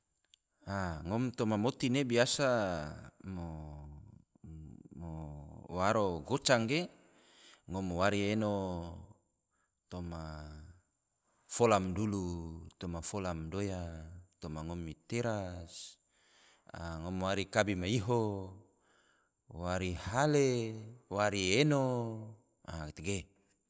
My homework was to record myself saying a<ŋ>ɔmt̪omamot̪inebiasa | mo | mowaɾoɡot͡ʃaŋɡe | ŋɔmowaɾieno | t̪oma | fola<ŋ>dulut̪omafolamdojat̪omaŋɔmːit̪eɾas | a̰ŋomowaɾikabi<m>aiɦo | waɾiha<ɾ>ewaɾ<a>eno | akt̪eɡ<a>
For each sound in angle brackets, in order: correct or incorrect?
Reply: correct, incorrect: m, correct, incorrect: l, incorrect: i, incorrect: e

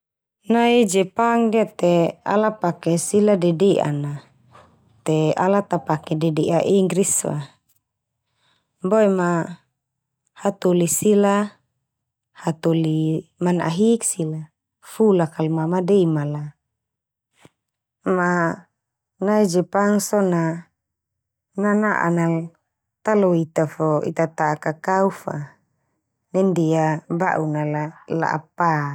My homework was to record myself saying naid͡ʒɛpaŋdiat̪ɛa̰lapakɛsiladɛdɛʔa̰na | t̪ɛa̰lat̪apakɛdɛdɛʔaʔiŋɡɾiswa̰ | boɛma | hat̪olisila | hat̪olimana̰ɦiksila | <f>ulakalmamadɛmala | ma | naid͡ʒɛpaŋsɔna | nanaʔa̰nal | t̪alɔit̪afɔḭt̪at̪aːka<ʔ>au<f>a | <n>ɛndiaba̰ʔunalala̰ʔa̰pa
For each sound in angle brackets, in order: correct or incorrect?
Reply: correct, incorrect: k, correct, correct

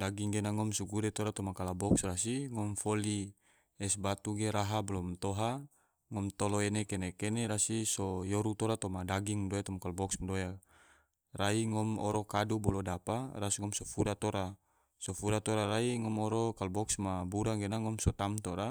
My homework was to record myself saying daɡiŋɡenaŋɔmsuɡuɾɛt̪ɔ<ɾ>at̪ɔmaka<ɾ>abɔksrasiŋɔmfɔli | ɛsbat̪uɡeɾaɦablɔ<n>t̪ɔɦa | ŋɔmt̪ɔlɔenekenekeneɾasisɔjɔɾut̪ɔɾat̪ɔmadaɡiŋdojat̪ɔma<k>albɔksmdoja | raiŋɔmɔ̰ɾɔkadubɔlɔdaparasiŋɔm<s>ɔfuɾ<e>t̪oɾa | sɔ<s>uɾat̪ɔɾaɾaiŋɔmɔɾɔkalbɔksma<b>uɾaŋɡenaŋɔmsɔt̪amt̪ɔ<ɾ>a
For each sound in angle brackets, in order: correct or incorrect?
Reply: correct, incorrect: l, incorrect: m, correct, correct, incorrect: a, incorrect: f, correct, correct

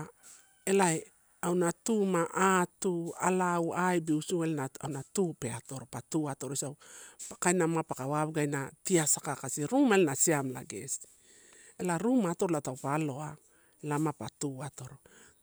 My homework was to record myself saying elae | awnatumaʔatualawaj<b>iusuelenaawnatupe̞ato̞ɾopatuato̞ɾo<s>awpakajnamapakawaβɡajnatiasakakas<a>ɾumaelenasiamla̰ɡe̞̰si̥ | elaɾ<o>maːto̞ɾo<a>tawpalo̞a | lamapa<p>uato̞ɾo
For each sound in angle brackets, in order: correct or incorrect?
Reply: correct, correct, incorrect: i, incorrect: u, correct, incorrect: t

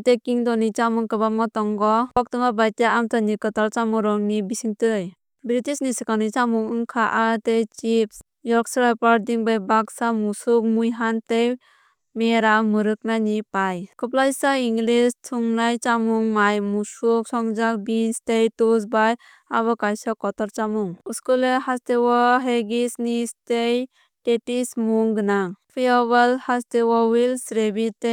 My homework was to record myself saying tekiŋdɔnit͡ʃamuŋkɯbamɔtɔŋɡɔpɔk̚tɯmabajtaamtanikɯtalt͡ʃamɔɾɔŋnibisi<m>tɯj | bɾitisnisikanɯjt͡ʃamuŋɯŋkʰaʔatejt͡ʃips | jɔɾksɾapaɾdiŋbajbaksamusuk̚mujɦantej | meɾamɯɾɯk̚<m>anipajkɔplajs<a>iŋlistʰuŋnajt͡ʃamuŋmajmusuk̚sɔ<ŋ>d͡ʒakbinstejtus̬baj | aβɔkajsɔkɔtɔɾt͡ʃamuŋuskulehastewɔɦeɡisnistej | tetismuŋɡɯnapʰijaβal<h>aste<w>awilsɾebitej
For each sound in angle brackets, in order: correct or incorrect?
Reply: incorrect: ŋ, incorrect: n, correct, correct, correct, correct

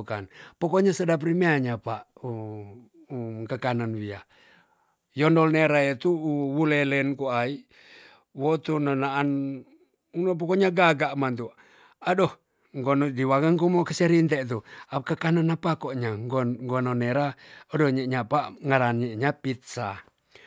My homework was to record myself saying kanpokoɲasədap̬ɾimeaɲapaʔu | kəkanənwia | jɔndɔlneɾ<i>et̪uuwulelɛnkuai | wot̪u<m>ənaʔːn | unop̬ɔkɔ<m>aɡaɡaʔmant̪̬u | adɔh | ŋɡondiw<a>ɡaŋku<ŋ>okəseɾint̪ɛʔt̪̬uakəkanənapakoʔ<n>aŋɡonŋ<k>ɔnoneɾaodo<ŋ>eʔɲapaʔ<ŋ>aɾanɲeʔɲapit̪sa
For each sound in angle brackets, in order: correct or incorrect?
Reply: incorrect: a, incorrect: n, incorrect: ɲ, correct, incorrect: m, incorrect: ɲ, incorrect: ɡ, incorrect: ɲ, correct

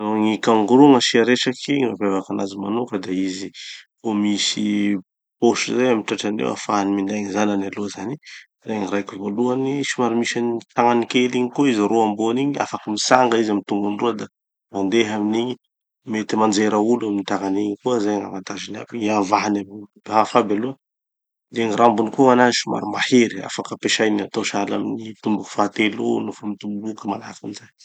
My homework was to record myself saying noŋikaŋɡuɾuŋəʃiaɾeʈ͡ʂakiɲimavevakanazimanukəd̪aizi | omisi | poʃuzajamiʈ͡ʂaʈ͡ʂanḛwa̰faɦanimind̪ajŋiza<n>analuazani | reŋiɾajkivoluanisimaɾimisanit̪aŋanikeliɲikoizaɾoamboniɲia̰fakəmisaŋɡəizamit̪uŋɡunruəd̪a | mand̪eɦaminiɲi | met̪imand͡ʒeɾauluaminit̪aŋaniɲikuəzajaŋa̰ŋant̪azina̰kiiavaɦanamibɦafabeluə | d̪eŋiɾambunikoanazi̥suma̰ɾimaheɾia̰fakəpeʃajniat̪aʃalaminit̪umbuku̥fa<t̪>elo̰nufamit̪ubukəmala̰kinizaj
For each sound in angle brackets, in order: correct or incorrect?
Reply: correct, correct

